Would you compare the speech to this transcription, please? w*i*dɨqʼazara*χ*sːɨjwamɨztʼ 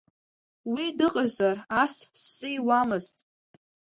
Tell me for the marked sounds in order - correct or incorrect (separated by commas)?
correct, incorrect